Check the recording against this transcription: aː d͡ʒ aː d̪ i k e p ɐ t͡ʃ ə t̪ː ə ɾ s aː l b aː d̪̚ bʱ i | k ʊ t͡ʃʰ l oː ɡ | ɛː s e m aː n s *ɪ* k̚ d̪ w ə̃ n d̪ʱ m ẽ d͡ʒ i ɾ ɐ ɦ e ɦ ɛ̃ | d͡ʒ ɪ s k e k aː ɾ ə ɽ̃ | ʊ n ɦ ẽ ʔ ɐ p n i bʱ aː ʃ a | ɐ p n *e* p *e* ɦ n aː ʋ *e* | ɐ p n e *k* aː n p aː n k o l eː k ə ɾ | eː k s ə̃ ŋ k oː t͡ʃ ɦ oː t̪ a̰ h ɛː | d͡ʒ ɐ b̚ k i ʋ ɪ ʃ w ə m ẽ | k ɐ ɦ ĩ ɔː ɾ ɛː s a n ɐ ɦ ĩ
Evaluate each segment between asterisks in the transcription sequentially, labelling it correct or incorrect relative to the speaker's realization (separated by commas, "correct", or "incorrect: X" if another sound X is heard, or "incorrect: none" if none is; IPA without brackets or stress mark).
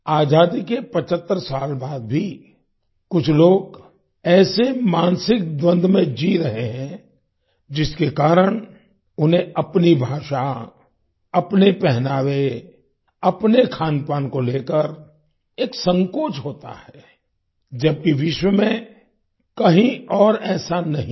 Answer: correct, correct, incorrect: ɛ, correct, incorrect: kʰ